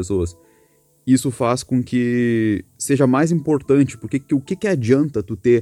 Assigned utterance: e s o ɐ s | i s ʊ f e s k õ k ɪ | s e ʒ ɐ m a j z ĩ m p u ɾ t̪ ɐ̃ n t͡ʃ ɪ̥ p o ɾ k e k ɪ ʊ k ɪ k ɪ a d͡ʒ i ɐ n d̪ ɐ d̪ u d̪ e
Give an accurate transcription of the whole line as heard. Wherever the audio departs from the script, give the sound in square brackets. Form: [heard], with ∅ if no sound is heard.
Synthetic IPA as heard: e s o ɐ s | i s ʊ f [a] s k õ k ɪ | s e ʒ ɐ m a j z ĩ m p [o] ɾ t̪ ɐ̃ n t͡ʃ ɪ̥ p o ɾ k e k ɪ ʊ k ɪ k ɪ a d͡ʒ i [ɐ̃] n [t̪] ɐ [t̪] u [t̪] e